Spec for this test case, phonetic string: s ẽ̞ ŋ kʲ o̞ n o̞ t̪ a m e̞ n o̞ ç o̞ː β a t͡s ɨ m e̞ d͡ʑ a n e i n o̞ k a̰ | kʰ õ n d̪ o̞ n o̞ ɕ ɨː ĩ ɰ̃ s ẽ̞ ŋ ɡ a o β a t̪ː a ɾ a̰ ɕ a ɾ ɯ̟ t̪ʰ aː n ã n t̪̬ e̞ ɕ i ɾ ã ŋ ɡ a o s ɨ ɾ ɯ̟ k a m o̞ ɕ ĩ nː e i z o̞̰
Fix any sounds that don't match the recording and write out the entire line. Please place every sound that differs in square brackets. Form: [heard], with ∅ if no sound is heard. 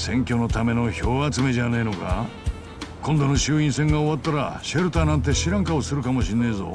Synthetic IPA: s ẽ̞ ŋ kʲ o̞ n o̞ t̪ a m e̞ n o̞ ç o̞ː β a t͡s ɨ m e̞ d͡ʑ a n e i n o̞ k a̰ | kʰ õ n d̪ o̞ n o̞ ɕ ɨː ĩ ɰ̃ s ẽ̞ ŋ ɡ a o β a t̪ː a ɾ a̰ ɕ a ɾ ɯ̟ [t̪] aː n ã n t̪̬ e̞ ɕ i ɾ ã ŋ [k] a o s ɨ ɾ ɯ̟ k a m o̞ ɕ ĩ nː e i z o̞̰